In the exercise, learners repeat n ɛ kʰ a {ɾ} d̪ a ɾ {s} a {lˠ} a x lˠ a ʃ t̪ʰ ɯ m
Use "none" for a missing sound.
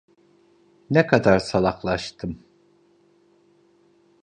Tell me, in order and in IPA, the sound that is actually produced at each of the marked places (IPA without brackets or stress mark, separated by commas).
none, s, lˠ